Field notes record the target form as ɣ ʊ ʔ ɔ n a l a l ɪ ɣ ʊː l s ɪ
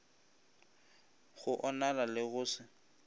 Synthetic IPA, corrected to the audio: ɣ ʊ ʔ ɔ n a l a l ɪ ɣ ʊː s ɪ